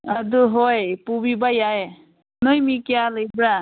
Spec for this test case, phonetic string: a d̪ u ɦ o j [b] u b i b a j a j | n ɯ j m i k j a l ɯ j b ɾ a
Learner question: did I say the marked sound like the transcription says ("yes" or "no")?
no